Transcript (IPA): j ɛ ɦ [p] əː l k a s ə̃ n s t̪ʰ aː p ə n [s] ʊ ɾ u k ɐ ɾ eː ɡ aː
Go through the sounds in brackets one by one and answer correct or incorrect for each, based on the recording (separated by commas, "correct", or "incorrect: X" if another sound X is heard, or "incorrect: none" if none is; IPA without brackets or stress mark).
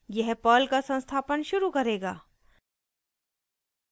correct, incorrect: ʃ